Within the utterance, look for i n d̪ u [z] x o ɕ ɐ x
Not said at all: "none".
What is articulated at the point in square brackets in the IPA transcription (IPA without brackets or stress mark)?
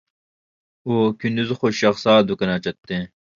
z